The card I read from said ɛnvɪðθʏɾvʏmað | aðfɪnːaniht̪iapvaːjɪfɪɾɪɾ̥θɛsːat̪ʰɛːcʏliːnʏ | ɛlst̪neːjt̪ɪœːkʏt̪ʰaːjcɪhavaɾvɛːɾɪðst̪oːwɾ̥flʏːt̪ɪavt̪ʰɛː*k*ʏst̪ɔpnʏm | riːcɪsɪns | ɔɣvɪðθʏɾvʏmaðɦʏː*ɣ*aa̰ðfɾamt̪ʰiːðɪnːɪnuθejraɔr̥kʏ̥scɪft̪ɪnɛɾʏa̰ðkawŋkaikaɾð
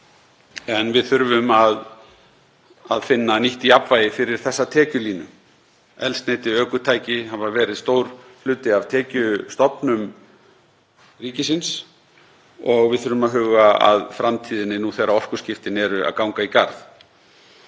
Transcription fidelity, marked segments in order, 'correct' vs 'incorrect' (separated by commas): incorrect, correct